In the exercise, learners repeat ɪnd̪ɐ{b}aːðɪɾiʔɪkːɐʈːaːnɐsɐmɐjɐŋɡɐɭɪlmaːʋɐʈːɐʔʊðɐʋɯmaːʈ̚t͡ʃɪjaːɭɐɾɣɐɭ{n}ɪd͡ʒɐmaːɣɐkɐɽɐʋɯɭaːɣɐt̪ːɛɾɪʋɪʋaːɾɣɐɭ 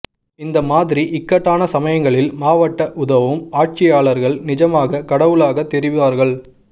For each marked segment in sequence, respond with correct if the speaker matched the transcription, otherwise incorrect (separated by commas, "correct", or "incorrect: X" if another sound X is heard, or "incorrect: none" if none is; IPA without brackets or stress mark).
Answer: incorrect: m, correct